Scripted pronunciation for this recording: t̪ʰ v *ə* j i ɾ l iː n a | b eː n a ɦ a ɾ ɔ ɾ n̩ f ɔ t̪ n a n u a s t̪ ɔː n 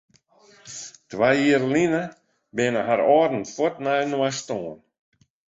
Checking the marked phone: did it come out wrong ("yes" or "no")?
yes